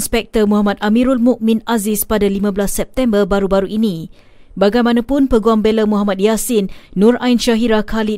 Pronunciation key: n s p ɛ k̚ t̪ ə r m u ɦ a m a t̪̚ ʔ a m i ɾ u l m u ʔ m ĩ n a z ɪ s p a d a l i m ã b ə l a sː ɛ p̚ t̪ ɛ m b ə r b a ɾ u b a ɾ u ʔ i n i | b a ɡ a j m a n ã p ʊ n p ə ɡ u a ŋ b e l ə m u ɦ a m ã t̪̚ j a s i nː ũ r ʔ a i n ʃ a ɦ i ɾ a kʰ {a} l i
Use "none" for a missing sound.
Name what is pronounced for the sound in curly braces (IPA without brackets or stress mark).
a